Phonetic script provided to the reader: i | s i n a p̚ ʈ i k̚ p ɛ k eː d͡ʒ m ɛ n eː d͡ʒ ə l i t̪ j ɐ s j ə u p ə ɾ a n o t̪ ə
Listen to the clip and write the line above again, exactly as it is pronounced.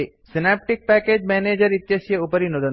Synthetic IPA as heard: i | s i n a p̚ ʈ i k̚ p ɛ k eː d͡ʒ m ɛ n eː d͡ʒ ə ɾ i t̪ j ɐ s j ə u p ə ɾ i n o d̪ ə